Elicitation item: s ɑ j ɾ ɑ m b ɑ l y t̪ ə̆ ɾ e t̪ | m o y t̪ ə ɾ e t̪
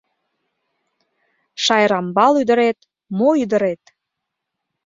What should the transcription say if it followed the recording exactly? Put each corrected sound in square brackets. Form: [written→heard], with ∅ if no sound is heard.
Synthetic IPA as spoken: [s→ʃ] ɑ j ɾ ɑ m b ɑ l y [t̪→d̪] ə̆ ɾ e t̪ | m o y [t̪→d̪] ə ɾ e t̪